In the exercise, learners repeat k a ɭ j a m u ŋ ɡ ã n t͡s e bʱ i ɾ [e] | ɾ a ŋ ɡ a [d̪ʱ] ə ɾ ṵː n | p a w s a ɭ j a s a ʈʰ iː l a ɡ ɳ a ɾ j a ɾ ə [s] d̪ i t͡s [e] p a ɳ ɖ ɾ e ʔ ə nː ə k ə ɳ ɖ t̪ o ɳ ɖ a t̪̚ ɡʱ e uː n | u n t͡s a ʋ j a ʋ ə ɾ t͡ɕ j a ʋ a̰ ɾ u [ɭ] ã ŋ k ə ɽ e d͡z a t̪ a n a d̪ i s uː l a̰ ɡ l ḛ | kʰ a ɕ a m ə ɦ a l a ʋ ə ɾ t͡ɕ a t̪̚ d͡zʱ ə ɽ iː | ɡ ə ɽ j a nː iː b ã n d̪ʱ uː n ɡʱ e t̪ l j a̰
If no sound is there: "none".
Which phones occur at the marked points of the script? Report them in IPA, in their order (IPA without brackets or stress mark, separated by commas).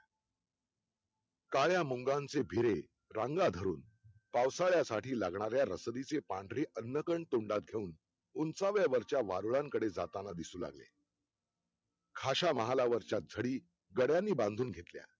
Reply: e, d̪ʱ, s, e, ɭ